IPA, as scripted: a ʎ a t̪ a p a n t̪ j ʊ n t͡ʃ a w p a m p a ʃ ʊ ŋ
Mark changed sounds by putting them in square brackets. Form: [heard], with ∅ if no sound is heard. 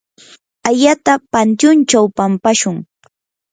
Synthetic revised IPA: a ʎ a t̪ a p a n t̪ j ʊ n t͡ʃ a w p a m p a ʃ ʊ ŋ